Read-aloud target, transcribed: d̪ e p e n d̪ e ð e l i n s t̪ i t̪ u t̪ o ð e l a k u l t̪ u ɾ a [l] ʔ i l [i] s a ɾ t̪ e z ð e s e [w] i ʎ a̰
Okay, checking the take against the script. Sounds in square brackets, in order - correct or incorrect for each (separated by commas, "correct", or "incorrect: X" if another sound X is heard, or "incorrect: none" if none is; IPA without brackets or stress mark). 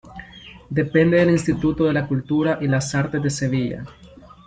incorrect: none, incorrect: a, incorrect: β